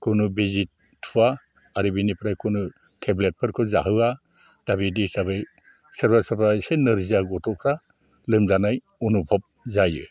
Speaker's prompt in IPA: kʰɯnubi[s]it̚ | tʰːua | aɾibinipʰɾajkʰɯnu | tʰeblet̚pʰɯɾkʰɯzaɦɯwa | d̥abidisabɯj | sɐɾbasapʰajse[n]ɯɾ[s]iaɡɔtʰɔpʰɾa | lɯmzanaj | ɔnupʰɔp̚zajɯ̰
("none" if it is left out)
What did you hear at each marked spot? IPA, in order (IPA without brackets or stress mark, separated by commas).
z, n, z